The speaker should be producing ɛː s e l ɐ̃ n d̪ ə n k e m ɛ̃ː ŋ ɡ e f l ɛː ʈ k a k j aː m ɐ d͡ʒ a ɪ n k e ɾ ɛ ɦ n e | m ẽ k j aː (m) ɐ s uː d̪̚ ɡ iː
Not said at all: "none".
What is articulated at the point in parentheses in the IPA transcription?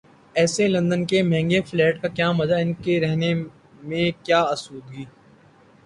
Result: none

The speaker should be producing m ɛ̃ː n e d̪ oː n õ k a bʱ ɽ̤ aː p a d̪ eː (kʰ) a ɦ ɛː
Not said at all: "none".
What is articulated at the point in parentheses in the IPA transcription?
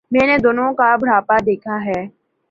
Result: kʰ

